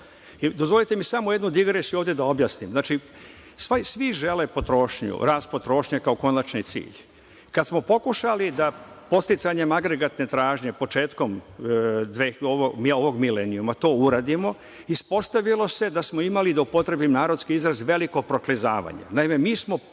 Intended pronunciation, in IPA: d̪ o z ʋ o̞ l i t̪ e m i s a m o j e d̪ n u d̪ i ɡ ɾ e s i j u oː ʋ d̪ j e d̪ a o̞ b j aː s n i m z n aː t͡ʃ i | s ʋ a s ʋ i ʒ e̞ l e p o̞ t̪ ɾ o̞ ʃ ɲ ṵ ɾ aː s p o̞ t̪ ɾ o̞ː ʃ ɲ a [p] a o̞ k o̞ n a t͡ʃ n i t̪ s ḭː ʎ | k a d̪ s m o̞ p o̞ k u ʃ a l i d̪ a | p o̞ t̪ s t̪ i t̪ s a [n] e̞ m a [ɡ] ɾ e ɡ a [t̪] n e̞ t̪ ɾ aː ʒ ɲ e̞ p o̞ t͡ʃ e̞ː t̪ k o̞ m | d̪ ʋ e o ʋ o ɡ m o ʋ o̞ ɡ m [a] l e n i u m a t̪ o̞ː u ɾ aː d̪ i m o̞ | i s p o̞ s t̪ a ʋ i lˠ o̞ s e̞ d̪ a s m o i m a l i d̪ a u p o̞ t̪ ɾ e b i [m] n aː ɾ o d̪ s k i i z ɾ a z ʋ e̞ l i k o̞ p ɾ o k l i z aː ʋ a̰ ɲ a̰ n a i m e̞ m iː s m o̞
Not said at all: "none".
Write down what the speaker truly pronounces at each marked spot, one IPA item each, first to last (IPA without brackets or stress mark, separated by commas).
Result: k, ɲ, ɡ, t̪, i, m